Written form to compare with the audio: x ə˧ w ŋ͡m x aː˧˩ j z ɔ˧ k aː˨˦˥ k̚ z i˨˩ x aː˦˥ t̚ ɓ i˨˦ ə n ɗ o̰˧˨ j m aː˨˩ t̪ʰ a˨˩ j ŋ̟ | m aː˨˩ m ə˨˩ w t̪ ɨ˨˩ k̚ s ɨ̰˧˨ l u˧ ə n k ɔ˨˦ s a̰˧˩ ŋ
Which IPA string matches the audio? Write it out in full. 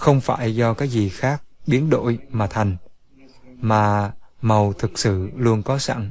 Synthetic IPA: x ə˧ w ŋ͡m f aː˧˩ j z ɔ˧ k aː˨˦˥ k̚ z i˨˩ x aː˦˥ k̚ ɓ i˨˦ ə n ɗ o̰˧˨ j m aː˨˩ t̪ʰ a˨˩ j ŋ̟ | m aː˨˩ m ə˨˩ w t̪ʰ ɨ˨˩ k̚ s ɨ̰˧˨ l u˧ ə n k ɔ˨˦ s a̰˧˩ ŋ

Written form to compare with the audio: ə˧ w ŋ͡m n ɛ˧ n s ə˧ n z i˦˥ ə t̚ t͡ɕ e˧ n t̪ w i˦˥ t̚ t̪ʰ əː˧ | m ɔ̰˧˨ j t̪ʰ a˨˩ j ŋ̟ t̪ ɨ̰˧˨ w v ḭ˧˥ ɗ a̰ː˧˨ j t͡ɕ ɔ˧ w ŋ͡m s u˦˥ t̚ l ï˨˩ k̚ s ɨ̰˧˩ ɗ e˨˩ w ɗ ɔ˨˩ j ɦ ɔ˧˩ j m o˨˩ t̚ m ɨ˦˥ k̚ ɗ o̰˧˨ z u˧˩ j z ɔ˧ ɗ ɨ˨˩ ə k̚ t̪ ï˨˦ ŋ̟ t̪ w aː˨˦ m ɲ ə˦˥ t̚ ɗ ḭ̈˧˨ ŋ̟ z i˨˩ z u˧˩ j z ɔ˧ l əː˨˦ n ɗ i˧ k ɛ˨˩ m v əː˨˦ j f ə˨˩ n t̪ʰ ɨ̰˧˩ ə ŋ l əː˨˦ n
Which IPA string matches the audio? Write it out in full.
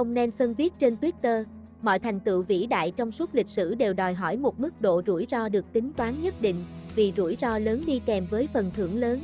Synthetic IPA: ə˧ w ŋ͡m n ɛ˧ n s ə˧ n v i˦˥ ə t̚ t͡ɕ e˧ n t̪ w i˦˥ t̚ t̪ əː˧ | m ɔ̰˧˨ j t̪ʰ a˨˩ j ŋ̟ t̪ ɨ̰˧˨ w v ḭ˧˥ ɗ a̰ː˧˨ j t͡ɕ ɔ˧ w ŋ͡m s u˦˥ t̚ l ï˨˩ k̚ s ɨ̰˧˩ ɗ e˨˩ w ɗ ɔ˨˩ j ɦ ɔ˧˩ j m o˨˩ t̚ m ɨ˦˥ k̚ ɗ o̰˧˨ z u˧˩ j z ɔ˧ ɗ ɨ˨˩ ə k̚ t̪ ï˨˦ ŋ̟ t̪ w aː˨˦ n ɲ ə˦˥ t̚ ɗ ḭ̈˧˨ ŋ̟ v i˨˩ z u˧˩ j z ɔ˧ l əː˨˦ n ɗ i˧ k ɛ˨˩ m v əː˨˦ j f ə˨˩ n t̪ʰ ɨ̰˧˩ ə ŋ l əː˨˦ n

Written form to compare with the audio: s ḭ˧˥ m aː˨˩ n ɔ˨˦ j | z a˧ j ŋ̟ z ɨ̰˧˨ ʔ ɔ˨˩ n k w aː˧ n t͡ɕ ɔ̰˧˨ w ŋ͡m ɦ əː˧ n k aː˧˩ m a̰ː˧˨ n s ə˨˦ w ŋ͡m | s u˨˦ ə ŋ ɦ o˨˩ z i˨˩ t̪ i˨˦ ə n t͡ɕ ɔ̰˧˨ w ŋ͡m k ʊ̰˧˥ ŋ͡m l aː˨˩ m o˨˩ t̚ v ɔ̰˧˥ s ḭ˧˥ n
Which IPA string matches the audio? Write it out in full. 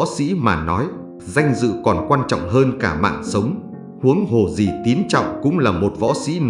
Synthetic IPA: s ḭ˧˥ m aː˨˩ n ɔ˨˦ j | z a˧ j ŋ̟ z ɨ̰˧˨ k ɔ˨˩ n k w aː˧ n t͡ɕ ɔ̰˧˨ w ŋ͡m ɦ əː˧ n k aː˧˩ m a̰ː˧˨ n s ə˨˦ w ŋ͡m | h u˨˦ ə ŋ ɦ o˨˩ z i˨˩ t̪ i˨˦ ə n t͡ɕ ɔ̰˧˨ w ŋ͡m k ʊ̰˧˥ ŋ͡m l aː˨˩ m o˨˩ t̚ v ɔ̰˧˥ s ḭ˧˥ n

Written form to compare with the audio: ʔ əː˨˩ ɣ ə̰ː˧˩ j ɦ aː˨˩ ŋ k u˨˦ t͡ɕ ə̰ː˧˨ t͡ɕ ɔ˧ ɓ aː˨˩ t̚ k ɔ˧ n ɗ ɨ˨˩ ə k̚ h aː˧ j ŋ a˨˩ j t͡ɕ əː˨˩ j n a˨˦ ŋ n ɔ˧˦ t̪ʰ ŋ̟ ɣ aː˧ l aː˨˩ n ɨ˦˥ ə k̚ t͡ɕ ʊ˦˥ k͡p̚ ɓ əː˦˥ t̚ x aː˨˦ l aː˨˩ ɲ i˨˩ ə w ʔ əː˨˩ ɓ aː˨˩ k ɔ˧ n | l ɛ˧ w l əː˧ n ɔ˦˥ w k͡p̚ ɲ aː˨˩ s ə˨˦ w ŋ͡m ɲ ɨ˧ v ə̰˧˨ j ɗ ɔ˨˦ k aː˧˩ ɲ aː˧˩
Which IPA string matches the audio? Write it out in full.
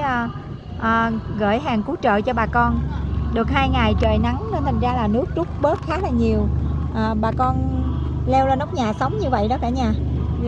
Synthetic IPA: ʔ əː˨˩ ɣ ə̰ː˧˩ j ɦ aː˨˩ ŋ k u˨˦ t͡ɕ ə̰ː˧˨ t͡ɕ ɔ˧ ɓ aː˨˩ k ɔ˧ n ɗ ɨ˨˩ ə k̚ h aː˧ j ŋ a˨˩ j t͡ɕ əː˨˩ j n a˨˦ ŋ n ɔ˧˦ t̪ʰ ŋ̟ z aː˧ l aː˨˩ n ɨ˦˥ ə k̚ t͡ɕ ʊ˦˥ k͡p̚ ɓ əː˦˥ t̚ x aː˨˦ l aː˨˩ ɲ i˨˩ ə w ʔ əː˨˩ ɓ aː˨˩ k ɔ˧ n | l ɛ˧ w l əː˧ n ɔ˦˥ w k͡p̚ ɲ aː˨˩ s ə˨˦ w ŋ͡m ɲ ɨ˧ v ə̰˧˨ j ɗ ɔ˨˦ k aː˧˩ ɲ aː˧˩

